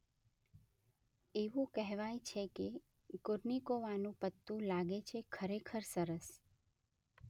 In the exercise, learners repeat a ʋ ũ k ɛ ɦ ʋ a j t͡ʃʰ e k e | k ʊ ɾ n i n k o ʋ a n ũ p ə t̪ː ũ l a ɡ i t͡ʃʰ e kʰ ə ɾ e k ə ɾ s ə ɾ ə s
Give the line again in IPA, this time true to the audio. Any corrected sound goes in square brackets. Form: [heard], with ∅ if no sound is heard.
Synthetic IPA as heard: [e] ʋ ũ k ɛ ɦ ʋ a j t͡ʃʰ e k e | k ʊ ɾ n i [∅] k o ʋ a n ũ p ə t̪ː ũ l a ɡ [e] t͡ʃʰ e kʰ ə ɾ e [kʰ] ə ɾ s ə ɾ ə s

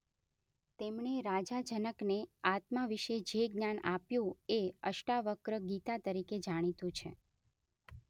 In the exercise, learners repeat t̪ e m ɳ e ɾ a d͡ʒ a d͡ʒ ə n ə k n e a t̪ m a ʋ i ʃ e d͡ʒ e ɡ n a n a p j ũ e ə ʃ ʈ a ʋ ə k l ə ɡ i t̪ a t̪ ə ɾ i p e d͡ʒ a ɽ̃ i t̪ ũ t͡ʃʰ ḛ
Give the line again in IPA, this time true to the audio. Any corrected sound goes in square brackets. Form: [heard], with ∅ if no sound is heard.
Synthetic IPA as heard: t̪ e m ɳ e ɾ a d͡ʒ a d͡ʒ ə n ə k n e a t̪ m a ʋ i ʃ e d͡ʒ e ɡ n a n a p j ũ e ə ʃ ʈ a ʋ ə k [ɾ] ə ɡ i t̪ a t̪ ə ɾ i [k] e d͡ʒ a ɽ̃ i t̪ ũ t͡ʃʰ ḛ

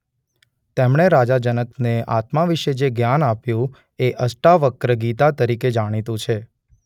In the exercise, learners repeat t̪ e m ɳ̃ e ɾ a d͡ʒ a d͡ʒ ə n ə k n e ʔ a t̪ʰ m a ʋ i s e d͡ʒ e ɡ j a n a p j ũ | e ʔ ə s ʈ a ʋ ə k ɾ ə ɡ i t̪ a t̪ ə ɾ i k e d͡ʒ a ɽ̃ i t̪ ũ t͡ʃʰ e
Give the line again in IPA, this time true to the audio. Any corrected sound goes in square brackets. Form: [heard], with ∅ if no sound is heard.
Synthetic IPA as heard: t̪ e m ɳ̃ e ɾ a d͡ʒ a d͡ʒ ə n ə k n e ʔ a [t̪] m a ʋ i [ʃ] e d͡ʒ e ɡ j a n a p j ũ | e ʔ ə s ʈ a ʋ ə k ɾ ə ɡ i t̪ a t̪ ə ɾ i k e d͡ʒ a ɽ̃ i t̪ ũ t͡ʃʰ e

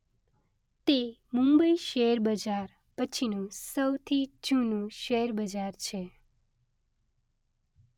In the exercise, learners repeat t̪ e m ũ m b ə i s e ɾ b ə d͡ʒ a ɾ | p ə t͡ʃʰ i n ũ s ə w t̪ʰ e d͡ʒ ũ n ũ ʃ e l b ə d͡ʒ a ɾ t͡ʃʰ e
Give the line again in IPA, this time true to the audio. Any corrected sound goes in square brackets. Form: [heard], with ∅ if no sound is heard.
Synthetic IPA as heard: t̪ e m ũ m b ə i [ʃ] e ɾ b ə d͡ʒ a ɾ | p ə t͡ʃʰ i n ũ s ə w t̪ʰ [i] d͡ʒ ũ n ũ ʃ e [ɾ] b ə d͡ʒ a ɾ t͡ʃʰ e

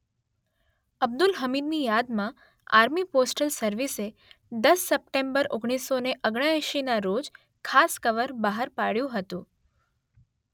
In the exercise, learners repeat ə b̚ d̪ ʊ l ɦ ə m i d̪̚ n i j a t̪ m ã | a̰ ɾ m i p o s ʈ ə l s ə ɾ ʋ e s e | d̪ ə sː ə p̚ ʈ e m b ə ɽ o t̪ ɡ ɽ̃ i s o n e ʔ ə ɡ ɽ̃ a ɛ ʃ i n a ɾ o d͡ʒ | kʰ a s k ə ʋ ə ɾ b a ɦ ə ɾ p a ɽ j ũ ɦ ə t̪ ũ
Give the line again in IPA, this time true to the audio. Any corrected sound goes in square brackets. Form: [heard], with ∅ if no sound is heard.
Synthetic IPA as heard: ə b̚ d̪ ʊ l ɦ ə m i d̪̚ n i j a [d̪] m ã | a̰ ɾ m i p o s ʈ ə l s ə ɾ ʋ [i] s e | d̪ ə sː ə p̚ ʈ e m b ə [ɾ] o [∅] ɡ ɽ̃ i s o n e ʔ ə ɡ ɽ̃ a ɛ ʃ i n a ɾ o d͡ʒ | kʰ a s k ə ʋ ə ɾ b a ɦ ə ɾ p a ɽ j ũ ɦ ə t̪ ũ

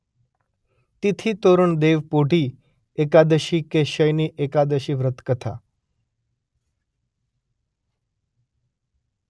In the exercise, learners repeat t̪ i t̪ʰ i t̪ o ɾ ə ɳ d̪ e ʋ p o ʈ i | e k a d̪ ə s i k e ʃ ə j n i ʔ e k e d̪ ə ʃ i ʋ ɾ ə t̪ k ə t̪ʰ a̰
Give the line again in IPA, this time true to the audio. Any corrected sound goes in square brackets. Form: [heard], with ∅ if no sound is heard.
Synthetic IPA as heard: t̪ i t̪ʰ i t̪ o ɾ ə ɳ d̪ e ʋ p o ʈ i | e k a d̪ ə [ʃ] i k e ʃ ə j n i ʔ e k [a] d̪ ə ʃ i ʋ ɾ ə t̪ k ə t̪ʰ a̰

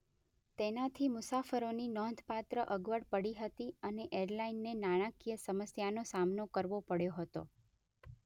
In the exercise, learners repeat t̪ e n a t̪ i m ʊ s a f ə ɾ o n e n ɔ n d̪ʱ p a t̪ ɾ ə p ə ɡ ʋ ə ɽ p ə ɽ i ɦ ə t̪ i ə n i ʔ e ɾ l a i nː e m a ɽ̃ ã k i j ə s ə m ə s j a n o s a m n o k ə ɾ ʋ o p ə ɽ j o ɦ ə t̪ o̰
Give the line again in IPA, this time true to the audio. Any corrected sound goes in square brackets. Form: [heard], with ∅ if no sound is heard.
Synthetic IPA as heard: t̪ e n a [t̪ʰ] i m ʊ s a f ə ɾ o n [i] n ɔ n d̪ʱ p a t̪ ɾ ə [ʔ] ə ɡ ʋ ə ɽ p ə ɽ i ɦ ə t̪ i ə n [e] ʔ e ɾ l a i nː e [n] a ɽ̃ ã k i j ə s ə m ə s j a n o s a m n o k ə ɾ ʋ o p ə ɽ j o ɦ ə t̪ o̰

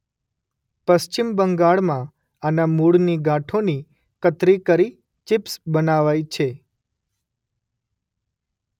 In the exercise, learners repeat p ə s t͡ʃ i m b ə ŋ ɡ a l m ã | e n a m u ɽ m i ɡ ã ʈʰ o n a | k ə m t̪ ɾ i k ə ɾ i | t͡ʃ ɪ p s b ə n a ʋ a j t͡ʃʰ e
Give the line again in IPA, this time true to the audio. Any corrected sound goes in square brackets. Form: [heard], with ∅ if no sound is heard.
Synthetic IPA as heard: p ə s t͡ʃ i m b ə ŋ ɡ a [ɭ] m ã | [a] n a m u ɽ [n] i ɡ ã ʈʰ o n [i] | k ə [∅] t̪ ɾ i k ə ɾ i | t͡ʃ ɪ p s b ə n a ʋ a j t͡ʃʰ e

